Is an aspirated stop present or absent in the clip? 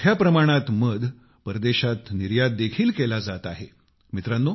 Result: present